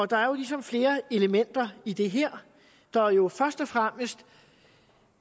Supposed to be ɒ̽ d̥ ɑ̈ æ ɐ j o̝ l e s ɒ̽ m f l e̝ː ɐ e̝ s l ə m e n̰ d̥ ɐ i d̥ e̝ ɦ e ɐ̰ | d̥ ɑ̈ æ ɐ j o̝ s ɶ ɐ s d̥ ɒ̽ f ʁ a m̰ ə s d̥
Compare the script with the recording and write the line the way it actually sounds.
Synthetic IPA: ɒ̽ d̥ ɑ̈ æ ɐ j o̝ l i s ɒ̽ m f l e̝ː ɐ e̝ l ə m e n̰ d̥ ɐ i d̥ e̝ ɦ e ɐ̰ | d̥ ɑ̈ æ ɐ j o̝ f ɶ ɐ s d̥ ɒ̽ f ʁ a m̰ ə s d̥